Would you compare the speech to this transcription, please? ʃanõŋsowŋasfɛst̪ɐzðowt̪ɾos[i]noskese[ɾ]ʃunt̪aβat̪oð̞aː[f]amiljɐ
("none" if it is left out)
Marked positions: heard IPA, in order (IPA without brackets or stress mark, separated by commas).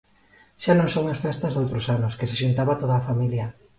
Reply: a, none, f